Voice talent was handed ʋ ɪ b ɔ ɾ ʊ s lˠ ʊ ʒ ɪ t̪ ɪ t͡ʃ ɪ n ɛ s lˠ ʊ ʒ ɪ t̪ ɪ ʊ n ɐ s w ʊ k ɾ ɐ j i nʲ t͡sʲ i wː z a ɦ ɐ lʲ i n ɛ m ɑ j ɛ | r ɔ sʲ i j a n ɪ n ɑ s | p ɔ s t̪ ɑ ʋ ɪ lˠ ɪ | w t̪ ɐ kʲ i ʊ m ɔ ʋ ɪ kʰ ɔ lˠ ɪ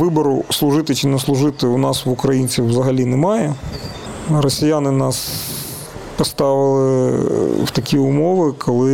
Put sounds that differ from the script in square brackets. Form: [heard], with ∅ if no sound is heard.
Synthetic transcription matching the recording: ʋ ɪ b ɔ ɾ ʊ s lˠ ʊ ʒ ɪ t̪ ɪ t͡ʃ ɪ n ɛ s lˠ ʊ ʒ ɪ t̪ ɪ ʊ n [ɑ] s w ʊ k ɾ ɐ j i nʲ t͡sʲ i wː z [ɐ] ɦ ɐ lʲ i n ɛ m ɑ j ɛ | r ɔ sʲ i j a n ɪ n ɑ s | p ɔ s t̪ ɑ ʋ ɪ lˠ ɪ | w t̪ ɐ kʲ i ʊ m ɔ ʋ ɪ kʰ ɔ lˠ ɪ